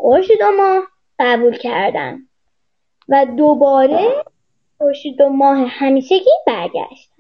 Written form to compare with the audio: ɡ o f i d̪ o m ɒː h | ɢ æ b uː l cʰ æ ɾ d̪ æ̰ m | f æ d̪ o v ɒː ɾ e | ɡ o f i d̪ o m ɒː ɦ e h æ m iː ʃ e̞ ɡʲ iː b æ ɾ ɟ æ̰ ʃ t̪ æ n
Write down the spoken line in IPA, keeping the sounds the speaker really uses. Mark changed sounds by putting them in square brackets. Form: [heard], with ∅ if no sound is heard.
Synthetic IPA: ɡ o [ʃ] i d̪ o m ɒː h | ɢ æ b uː l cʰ æ ɾ d̪ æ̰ [n] | [v] æ d̪ o [b] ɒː ɾ e | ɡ o [ʃ] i d̪ o m ɒː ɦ e h æ m iː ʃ e̞ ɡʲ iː b æ ɾ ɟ æ̰ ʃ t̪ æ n